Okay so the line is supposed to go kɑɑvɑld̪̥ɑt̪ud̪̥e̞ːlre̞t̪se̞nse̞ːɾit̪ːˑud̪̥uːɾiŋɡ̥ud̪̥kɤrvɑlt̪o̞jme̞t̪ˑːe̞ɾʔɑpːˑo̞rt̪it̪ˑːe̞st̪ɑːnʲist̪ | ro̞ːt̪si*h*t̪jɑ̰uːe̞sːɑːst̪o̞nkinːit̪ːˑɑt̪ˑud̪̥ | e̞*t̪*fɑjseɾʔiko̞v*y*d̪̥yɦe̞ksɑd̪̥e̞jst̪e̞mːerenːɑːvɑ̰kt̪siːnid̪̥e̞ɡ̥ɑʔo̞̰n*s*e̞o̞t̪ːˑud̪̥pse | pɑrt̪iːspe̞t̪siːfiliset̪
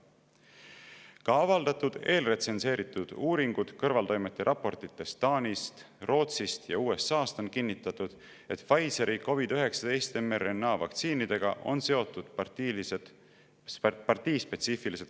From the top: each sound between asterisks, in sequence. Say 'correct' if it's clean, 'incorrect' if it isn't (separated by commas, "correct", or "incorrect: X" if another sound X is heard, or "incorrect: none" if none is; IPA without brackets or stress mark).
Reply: incorrect: s, correct, incorrect: i, correct